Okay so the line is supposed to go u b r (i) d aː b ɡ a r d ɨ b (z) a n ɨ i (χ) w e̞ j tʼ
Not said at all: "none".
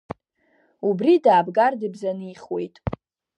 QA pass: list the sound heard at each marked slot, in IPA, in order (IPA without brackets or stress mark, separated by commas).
i, z, χ